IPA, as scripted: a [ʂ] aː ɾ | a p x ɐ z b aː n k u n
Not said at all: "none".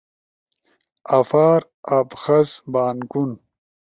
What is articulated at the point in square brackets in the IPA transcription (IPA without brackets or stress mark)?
f